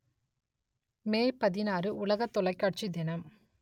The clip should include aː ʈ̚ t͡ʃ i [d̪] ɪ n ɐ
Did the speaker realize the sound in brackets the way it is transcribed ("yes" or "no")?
yes